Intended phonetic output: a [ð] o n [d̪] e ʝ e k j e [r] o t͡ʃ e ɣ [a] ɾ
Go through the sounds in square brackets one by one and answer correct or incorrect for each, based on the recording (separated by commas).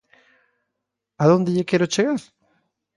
correct, correct, incorrect, correct